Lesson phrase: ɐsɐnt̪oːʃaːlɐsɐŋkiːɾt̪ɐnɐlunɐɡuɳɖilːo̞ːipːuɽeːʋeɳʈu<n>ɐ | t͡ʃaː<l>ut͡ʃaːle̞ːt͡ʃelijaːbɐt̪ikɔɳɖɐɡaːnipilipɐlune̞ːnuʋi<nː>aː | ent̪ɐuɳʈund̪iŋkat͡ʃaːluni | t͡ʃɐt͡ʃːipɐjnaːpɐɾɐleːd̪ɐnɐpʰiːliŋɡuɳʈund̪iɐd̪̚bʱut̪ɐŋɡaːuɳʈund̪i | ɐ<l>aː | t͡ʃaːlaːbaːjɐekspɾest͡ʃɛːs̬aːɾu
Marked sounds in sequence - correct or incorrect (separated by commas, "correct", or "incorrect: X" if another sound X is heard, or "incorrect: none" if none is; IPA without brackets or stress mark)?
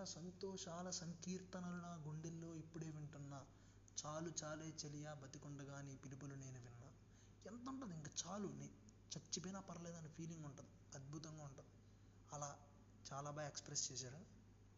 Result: incorrect: nː, correct, correct, correct